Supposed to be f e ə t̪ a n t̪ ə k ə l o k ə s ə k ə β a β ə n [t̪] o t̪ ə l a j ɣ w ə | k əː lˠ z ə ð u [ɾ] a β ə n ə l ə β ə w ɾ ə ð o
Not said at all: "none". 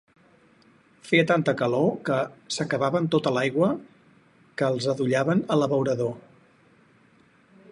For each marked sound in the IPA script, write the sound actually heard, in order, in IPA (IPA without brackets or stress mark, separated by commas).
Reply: t̪, ʎ